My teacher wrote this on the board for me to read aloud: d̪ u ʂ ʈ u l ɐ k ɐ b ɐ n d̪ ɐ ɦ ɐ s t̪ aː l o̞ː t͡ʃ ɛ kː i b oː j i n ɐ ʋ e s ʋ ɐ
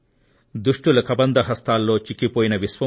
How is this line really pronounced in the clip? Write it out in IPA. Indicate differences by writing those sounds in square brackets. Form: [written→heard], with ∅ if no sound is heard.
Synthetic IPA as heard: d̪ u ʂ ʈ u l ɐ k ɐ b ɐ n d̪ ɐ ɦ ɐ s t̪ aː [l→lː] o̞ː t͡ʃ [ɛ→i] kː i [b→p] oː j i n ɐ ʋ [e→i] s ʋ ɐ